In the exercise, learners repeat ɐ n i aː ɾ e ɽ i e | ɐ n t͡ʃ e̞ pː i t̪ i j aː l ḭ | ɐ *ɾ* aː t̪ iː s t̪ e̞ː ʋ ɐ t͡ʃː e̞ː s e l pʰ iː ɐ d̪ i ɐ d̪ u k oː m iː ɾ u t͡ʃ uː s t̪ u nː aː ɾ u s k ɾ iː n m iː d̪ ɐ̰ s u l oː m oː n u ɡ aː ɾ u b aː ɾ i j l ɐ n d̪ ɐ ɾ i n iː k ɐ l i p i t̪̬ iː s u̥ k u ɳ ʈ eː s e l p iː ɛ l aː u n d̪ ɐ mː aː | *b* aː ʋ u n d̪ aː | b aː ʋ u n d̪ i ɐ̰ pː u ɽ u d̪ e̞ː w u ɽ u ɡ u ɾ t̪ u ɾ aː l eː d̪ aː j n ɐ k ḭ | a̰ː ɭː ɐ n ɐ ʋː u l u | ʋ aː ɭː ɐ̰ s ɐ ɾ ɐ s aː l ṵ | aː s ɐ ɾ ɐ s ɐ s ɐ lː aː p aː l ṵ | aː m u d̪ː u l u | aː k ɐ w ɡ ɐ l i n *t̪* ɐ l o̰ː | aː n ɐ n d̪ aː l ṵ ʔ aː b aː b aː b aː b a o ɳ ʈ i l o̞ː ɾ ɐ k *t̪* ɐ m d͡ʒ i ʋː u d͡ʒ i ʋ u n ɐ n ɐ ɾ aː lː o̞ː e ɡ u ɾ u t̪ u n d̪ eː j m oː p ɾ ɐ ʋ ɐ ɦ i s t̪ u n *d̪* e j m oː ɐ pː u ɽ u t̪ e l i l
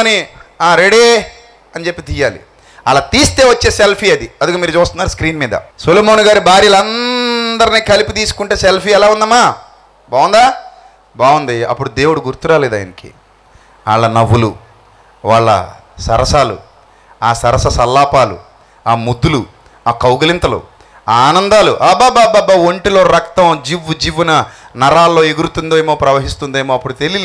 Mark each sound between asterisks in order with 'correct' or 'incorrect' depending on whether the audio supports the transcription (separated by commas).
incorrect, correct, correct, correct, correct